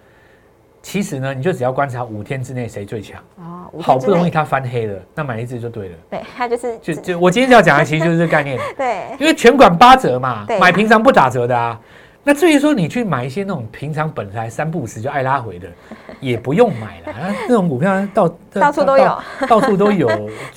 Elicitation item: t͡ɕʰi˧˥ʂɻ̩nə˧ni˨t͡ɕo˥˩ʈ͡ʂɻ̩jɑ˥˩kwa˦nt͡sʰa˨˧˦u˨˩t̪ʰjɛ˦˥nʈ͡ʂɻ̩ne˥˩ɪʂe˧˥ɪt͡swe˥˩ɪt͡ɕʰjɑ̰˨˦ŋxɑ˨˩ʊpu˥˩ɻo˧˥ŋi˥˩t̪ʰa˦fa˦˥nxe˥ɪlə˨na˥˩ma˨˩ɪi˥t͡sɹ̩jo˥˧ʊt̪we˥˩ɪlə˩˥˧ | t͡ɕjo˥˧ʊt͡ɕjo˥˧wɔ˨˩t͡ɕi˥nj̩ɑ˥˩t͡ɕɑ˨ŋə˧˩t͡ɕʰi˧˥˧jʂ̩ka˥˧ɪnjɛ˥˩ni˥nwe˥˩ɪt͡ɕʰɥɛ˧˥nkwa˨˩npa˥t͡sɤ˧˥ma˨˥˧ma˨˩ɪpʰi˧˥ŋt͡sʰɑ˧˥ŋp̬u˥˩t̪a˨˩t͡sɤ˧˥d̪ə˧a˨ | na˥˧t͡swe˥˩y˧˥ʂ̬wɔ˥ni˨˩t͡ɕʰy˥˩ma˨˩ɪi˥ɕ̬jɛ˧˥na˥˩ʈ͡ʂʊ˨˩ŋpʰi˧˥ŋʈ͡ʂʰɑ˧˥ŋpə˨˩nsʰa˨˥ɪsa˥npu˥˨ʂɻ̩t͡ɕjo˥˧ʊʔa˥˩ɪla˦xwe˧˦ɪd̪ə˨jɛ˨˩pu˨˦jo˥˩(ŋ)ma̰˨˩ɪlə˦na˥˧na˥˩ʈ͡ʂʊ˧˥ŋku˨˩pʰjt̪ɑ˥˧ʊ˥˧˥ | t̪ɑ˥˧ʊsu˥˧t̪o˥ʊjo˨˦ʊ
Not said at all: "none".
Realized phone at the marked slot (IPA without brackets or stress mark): ŋ